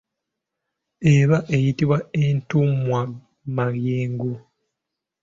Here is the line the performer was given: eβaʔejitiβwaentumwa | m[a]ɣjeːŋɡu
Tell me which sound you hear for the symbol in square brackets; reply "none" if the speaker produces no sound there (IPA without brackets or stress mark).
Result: a